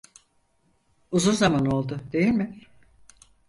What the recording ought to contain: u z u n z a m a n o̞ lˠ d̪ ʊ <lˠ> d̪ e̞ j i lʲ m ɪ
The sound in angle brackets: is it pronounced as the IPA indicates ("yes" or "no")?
no